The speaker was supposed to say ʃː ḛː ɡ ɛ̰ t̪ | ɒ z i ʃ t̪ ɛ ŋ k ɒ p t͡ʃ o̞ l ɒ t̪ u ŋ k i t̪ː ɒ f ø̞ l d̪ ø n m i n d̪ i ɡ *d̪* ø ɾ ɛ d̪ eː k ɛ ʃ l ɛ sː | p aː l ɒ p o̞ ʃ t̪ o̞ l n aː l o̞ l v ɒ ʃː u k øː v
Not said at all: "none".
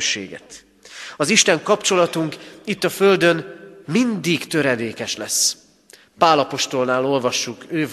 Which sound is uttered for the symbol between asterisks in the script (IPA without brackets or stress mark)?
t̪